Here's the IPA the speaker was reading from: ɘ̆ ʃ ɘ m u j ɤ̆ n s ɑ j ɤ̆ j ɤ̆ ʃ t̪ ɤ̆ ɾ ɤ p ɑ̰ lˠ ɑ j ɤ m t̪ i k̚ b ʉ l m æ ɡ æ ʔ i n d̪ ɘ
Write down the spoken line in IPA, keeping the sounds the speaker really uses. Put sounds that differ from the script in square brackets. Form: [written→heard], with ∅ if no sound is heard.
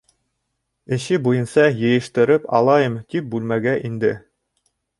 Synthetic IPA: ɘ̆ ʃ ɘ [m→b] u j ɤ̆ n s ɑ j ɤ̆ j ɤ̆ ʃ t̪ ɤ̆ ɾ ɤ p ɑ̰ lˠ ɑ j ɤ m t̪ i [k̚→p̚] b ʉ l m æ ɡ æ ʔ i n d̪ ɘ